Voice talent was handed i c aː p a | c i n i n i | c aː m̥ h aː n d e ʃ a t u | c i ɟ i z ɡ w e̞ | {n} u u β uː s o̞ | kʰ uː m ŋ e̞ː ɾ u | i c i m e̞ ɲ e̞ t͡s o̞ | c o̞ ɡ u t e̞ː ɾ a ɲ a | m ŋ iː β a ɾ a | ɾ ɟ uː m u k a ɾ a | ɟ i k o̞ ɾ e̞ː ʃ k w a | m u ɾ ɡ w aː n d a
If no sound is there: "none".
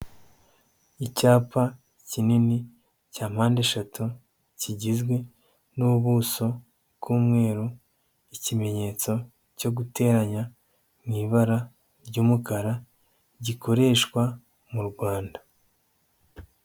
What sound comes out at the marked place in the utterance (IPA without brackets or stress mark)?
n